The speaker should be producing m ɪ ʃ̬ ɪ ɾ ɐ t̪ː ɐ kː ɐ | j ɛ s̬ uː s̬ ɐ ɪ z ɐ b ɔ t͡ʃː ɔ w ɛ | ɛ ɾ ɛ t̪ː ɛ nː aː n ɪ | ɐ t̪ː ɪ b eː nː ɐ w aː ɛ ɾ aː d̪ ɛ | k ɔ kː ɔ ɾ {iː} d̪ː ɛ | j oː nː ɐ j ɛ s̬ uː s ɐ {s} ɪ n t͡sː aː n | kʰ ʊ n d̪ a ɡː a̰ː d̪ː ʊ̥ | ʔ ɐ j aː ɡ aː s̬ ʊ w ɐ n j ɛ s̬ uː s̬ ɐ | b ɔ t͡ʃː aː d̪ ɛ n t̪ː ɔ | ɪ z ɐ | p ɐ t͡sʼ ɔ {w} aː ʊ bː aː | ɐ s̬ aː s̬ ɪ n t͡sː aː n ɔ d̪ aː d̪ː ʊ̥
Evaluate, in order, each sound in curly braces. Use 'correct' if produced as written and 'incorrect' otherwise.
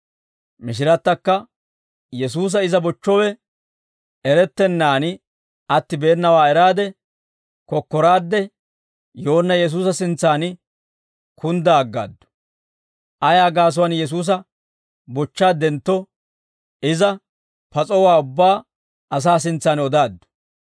incorrect: aː, correct, correct

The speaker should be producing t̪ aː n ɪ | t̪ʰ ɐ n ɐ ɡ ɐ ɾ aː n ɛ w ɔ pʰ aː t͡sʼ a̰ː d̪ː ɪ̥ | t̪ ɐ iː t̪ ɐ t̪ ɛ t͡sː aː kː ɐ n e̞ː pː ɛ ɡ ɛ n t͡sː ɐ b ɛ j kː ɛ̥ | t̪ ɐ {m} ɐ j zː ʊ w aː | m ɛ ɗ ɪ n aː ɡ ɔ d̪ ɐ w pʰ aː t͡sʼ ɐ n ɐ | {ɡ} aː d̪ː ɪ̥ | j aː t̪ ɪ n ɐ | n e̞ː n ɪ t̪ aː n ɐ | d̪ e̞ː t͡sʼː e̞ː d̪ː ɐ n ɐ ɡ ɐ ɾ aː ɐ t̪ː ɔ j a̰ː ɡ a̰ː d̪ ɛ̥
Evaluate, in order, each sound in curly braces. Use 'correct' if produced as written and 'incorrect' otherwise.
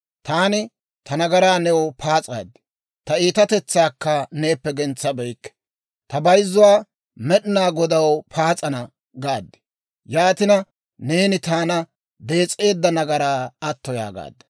incorrect: b, correct

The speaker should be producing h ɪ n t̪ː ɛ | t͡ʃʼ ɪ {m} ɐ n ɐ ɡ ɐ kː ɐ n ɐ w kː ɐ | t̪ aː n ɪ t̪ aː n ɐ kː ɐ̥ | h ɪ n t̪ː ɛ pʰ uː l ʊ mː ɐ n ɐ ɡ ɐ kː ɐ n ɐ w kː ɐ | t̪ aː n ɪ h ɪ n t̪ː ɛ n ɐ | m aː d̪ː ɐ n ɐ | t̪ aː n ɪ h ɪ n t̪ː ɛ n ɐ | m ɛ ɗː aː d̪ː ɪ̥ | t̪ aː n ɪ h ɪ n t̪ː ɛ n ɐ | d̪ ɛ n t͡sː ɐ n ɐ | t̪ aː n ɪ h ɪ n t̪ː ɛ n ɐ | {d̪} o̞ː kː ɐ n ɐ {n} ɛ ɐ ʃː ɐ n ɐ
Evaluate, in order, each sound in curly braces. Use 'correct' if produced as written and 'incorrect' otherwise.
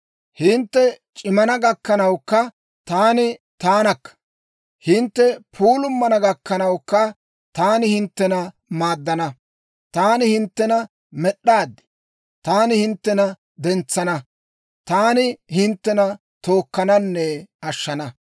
correct, incorrect: t̪, incorrect: nː

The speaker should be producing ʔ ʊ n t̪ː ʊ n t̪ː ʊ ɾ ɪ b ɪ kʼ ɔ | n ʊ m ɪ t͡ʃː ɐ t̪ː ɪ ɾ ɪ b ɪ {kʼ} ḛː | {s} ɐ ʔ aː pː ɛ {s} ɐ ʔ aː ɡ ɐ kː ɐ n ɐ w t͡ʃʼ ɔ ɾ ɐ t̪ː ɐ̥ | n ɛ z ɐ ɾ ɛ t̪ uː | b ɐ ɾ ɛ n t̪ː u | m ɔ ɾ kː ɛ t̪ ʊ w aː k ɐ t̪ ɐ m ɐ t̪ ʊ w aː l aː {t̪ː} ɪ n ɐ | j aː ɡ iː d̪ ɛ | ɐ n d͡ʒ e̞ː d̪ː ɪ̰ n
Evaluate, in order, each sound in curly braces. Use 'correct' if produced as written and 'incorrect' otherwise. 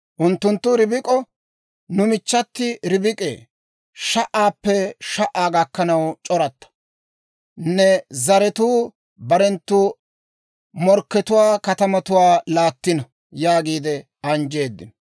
correct, incorrect: ʃ, incorrect: ʃ, correct

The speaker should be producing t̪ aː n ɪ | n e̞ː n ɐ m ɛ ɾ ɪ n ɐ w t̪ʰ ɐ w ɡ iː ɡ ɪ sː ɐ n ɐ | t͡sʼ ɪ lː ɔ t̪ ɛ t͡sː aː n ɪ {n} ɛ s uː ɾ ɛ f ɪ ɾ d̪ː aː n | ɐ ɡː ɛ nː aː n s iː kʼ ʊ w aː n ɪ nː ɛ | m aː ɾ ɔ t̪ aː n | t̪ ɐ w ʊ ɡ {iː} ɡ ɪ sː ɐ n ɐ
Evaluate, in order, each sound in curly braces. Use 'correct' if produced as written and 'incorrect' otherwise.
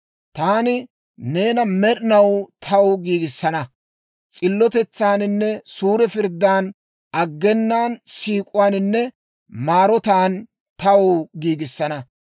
incorrect: nː, correct

